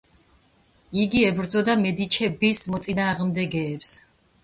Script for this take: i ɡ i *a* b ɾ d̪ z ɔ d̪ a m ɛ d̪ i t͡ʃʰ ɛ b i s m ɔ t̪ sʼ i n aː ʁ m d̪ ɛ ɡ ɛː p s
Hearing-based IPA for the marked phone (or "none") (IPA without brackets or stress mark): ɛ